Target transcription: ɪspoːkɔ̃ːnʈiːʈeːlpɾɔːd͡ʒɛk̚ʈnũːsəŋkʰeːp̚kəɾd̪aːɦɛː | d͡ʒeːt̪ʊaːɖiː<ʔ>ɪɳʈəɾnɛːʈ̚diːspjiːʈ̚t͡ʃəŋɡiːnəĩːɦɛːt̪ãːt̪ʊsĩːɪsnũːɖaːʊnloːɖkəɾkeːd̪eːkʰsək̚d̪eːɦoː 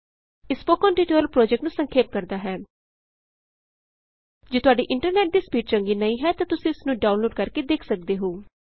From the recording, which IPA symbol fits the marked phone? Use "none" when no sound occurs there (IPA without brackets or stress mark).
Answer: ʔ